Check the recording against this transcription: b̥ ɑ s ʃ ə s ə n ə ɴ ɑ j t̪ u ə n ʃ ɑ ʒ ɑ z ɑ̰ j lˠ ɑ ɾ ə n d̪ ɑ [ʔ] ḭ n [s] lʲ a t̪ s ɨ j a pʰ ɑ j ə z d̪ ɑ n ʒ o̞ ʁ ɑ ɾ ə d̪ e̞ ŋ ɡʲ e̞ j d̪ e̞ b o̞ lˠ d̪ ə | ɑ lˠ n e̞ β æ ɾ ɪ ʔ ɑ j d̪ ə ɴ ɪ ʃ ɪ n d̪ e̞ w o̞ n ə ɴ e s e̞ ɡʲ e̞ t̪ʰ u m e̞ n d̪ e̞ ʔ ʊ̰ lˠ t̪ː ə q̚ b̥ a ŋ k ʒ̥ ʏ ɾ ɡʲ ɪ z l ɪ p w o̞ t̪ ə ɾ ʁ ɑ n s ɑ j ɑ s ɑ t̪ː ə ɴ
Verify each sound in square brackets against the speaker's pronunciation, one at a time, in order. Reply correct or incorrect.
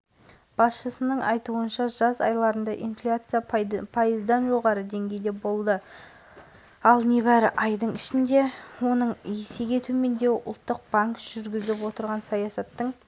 correct, incorrect: f

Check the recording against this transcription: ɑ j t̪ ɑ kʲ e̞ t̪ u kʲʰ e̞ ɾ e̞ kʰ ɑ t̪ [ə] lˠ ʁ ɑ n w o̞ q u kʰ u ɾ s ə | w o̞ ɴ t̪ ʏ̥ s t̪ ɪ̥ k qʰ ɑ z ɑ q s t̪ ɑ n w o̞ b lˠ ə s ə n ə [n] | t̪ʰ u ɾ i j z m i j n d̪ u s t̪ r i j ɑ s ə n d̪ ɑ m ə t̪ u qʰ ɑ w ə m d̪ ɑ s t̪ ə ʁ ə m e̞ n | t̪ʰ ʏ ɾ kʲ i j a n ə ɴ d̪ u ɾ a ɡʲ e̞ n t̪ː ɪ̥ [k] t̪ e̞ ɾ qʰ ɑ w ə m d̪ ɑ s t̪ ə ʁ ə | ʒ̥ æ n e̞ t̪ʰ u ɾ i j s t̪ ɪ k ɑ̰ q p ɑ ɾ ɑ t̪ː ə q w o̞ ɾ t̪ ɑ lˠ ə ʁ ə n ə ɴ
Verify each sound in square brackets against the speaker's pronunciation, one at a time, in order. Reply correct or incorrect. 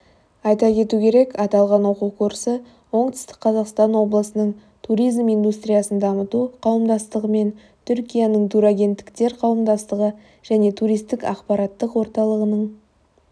incorrect: ɑ, incorrect: ɴ, correct

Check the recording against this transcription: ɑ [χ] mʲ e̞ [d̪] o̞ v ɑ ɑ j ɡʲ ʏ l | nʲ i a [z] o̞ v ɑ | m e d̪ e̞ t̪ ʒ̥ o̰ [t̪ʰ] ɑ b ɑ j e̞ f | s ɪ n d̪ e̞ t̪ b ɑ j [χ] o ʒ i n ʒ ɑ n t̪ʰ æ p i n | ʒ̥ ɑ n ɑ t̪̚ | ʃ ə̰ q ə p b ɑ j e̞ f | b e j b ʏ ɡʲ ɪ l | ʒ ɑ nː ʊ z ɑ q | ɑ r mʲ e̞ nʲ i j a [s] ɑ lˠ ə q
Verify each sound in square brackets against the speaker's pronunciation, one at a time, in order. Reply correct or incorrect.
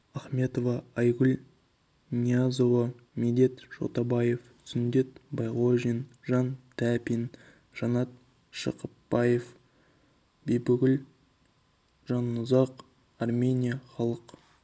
correct, incorrect: t̪, correct, incorrect: t̪, incorrect: ʁ, incorrect: χ

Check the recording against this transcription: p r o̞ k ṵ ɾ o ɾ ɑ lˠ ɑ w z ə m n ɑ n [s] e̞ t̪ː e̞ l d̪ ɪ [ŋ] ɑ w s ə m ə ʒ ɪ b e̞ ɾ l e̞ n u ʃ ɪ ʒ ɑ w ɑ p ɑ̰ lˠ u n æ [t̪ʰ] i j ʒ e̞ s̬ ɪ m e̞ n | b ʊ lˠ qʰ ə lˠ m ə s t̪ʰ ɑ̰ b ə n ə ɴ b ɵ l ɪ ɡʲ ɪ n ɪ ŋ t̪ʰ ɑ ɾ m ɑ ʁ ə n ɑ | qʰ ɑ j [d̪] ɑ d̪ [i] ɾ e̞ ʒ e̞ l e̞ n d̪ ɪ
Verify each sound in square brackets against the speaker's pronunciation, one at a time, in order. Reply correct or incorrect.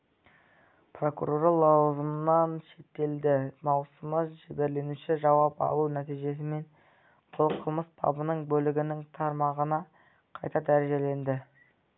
incorrect: ʃ, incorrect: m, incorrect: t̪, incorrect: t̪, incorrect: æ

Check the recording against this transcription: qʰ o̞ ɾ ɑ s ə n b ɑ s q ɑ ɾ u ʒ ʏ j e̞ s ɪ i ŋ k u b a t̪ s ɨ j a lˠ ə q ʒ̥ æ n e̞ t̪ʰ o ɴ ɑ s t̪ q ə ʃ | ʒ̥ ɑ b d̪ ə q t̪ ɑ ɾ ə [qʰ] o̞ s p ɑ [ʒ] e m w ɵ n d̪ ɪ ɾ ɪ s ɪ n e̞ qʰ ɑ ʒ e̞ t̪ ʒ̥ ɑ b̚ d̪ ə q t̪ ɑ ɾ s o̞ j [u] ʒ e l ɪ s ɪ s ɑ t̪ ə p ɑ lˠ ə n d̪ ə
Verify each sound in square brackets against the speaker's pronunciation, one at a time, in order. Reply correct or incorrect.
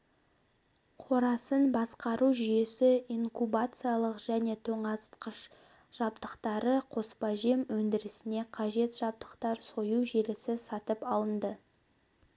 correct, correct, correct

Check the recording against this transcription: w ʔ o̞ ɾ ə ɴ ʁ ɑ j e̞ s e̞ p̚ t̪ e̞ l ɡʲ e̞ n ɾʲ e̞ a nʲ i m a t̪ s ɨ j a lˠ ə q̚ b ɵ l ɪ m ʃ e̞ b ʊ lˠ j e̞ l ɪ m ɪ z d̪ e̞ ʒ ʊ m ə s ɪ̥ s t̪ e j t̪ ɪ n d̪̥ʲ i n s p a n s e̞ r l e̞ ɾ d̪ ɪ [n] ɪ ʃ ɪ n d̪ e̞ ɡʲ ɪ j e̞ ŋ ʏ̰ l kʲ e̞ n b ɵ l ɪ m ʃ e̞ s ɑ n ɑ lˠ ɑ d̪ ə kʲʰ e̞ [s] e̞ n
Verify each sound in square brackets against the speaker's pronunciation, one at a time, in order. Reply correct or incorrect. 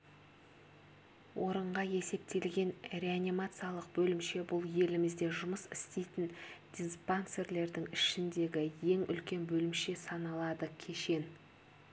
incorrect: ŋ, incorrect: ʃ

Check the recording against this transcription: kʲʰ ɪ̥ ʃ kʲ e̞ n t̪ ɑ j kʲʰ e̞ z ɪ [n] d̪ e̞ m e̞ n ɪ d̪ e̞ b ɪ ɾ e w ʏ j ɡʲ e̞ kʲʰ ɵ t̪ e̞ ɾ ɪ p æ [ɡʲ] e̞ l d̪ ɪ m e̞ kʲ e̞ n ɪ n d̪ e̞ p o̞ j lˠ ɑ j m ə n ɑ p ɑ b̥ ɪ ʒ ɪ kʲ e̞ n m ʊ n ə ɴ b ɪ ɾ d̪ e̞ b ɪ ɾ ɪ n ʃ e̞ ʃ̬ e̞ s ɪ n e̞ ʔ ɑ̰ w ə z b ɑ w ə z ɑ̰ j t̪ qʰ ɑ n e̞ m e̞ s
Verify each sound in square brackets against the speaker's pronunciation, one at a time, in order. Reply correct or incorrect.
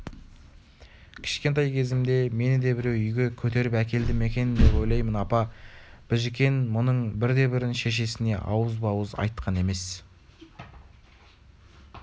incorrect: m, incorrect: kʲ

